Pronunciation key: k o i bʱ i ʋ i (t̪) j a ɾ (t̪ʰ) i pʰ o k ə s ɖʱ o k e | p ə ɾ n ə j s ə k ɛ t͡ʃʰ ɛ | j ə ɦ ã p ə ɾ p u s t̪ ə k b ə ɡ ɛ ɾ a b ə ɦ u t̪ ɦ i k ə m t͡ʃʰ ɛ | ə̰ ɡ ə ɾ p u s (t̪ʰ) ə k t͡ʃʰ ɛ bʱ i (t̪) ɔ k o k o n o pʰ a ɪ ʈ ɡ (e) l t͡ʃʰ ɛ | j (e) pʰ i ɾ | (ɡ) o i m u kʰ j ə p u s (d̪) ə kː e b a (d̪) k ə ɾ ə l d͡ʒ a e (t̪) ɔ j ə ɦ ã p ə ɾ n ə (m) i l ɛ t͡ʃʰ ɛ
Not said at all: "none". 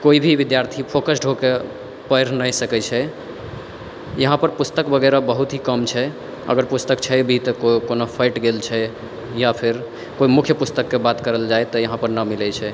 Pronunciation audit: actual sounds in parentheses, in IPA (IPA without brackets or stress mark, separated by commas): d̪, t̪ʰ, t̪, t̪, e, a, k, t̪, t̪, t̪, m